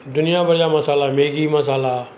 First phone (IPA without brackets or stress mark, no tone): d̪